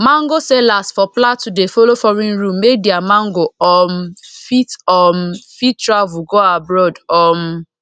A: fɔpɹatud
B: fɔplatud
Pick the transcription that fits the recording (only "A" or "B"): B